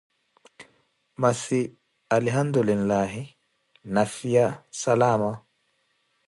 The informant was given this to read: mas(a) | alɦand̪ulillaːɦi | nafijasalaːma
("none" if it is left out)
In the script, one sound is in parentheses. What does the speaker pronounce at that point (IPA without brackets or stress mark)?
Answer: i